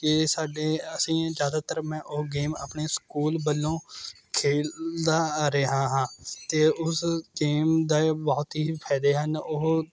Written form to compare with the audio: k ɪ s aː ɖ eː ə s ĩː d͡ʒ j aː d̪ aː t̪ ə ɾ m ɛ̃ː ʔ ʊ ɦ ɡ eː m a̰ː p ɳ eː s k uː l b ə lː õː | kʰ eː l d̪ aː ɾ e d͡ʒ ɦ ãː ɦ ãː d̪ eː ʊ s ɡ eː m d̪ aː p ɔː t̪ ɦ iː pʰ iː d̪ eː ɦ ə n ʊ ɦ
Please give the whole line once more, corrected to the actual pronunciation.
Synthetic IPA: k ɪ s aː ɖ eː ə s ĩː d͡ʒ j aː d̪ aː t̪ ə ɾ m ɛ̃ː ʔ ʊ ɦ ɡ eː m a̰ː p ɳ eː s k uː l b ə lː õː | kʰ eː l d̪ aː ɾ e ɦ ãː ɦ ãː t̪ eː ʊ s ɡ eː m d̪ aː b ɔː t̪ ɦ iː pʰ ɛː d̪ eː ɦ ə n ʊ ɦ